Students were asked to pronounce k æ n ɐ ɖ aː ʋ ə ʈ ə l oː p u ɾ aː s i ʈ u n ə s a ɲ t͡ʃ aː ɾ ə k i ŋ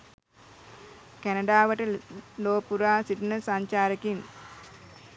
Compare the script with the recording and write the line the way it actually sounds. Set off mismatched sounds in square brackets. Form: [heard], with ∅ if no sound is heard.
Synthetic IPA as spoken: k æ n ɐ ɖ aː ʋ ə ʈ ə l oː p u ɾ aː s i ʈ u n ə s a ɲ t͡ʃ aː ɾ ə k i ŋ